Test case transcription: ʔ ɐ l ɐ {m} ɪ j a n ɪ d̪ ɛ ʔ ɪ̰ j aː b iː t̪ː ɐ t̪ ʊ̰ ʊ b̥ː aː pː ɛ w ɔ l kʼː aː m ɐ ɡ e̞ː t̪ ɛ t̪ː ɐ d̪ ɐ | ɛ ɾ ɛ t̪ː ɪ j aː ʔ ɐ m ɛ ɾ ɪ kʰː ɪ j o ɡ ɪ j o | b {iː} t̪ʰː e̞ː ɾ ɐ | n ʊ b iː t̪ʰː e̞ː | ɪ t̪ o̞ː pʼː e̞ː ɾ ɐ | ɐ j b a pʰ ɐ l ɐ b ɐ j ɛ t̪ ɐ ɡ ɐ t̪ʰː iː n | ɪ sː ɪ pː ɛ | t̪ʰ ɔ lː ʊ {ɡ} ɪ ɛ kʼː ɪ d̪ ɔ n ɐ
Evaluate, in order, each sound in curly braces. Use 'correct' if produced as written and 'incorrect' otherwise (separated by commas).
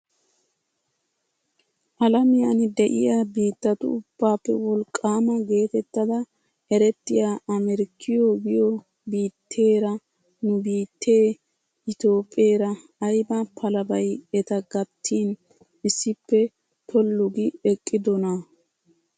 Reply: correct, correct, correct